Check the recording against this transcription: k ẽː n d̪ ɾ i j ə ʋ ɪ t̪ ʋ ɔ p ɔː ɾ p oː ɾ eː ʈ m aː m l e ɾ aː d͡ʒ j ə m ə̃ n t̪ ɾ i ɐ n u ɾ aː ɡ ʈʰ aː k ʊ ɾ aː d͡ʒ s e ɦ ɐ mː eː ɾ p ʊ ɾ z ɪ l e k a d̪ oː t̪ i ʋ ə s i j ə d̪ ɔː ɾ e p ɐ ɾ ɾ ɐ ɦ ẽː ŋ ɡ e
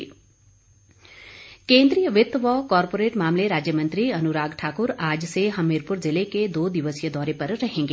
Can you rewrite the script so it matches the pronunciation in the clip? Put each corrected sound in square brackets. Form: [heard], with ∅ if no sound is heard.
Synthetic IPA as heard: k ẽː n d̪ ɾ i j ə ʋ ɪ t̪ ʋ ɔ [k] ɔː ɾ p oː ɾ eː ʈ m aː m l e ɾ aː d͡ʒ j ə m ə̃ n t̪ ɾ i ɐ n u ɾ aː ɡ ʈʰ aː k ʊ ɾ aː d͡ʒ s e ɦ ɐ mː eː ɾ p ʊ ɾ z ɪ l e k [e] d̪ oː [d̪] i ʋ ə s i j ə d̪ ɔː ɾ e p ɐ ɾ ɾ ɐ ɦ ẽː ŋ ɡ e